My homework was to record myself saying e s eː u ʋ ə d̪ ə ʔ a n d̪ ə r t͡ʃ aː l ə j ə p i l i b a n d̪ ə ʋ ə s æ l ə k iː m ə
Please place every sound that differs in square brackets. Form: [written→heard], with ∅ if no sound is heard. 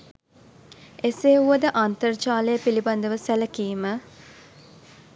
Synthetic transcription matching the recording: e s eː u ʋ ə d̪ ə ʔ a n [d̪→t̪] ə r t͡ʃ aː l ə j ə p i l i b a n d̪ ə ʋ ə s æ l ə k iː m ə